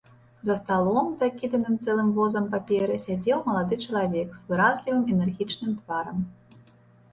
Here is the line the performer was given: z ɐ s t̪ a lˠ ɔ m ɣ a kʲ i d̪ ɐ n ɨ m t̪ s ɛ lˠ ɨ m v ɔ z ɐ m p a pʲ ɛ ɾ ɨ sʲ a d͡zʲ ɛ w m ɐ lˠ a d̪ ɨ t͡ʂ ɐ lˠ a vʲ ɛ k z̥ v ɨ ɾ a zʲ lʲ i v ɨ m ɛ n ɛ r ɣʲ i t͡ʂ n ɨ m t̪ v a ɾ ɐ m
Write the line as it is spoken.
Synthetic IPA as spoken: z ɐ s t̪ a lˠ ɔ m z a kʲ i d̪ ɐ n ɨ m t̪ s ɛ lˠ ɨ m v ɔ z ɐ m p a pʲ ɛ ɾ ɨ sʲ a d͡zʲ ɛ w m ɐ lˠ a d̪ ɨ t͡ʂ ɐ lˠ a vʲ ɛ k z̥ v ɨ ɾ a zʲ lʲ i v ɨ m ɛ n ɛ r ɣʲ i t͡ʂ n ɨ m t̪ v a ɾ ɐ m